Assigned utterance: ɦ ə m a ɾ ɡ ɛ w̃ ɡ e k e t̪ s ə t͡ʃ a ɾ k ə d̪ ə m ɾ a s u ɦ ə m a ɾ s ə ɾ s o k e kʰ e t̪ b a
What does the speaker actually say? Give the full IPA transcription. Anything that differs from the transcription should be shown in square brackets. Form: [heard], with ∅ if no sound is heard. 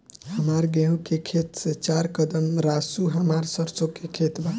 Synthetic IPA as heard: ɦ ə m a ɾ ɡ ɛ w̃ [k] e [kʰ] e t̪ s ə t͡ʃ a ɾ k ə d̪ ə m ɾ a s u ɦ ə m a ɾ s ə ɾ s o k e kʰ e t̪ b a